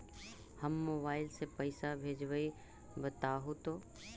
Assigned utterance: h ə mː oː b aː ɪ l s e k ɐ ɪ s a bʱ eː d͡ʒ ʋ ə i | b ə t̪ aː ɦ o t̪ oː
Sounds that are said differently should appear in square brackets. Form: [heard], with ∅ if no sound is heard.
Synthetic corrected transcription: h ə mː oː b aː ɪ l s e [p] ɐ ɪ s a bʱ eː d͡ʒ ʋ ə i | b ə t̪ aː ɦ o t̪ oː